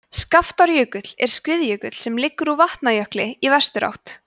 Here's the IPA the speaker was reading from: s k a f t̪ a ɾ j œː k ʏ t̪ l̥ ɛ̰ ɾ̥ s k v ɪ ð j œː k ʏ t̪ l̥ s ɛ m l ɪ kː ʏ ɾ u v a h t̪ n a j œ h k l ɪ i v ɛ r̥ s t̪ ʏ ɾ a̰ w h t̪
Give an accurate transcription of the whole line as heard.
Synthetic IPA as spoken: s k a f t̪ a ɾ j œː k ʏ t̪ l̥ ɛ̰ ɾ̥ s k v ɪ ð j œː k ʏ t̪ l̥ s ɛ m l ɪ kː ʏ ɾ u v a h t̪ n a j œ h k l ɪ i v ɛ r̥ s t̪ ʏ ɾ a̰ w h t̪

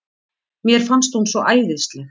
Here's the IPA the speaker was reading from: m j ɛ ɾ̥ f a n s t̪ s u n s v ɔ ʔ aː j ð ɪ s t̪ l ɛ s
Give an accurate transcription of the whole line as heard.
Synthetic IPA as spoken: m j ɛ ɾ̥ f a n s t̪ h u n s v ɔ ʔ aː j ð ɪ s t̪ l ɛ x

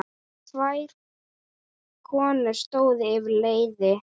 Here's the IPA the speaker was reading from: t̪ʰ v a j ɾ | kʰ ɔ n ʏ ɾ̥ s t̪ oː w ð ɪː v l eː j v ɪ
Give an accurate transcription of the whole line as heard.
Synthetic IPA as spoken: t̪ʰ v a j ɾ | kʰ ɔː n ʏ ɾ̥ s t̪ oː w ð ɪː v l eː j ð ɪ

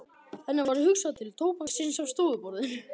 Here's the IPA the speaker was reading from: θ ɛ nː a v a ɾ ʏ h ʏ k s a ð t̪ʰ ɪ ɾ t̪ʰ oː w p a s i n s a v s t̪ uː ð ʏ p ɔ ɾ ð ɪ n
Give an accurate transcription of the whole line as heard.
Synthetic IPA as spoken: θ ɛ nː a v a ɾ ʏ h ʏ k s a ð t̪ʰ ɪ l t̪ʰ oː w p a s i n s a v s t̪ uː ð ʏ p ɔ ɾ ð ɪ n

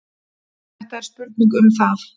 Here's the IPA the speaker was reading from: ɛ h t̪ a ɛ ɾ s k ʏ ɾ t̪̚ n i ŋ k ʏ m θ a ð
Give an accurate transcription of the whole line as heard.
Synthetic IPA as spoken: ɛ h t̪ a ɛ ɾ s p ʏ ɾ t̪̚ n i ŋ k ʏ m θ a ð

